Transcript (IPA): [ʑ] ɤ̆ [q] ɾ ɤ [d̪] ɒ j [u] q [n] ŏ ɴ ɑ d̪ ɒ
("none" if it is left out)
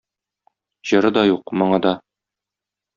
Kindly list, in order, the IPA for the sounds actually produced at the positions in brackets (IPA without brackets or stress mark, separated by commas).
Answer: ʑ, none, d̪, u, m